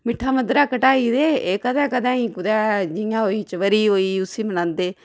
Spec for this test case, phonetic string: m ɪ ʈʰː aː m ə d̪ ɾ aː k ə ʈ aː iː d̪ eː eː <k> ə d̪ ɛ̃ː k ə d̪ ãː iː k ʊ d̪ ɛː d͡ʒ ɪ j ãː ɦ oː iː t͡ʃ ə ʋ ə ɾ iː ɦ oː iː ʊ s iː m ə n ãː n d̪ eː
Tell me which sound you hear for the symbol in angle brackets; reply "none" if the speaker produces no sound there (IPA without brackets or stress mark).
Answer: k